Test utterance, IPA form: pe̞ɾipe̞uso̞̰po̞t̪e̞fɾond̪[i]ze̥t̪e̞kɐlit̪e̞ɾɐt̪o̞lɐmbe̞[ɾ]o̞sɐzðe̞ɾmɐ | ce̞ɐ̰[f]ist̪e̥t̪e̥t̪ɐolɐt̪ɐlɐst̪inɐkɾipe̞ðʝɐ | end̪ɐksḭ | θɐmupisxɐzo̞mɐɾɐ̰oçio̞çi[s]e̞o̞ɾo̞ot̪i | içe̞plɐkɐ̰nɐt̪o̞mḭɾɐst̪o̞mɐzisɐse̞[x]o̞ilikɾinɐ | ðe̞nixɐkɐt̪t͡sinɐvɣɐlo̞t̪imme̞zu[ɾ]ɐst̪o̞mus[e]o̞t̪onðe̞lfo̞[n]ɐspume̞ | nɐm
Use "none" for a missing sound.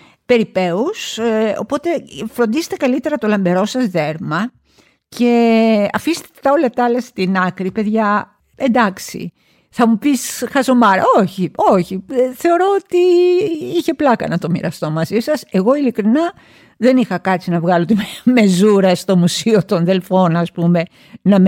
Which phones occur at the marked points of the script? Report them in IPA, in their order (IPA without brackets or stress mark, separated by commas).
i, ɾ, f, θ, ɣ, ɾ, i, n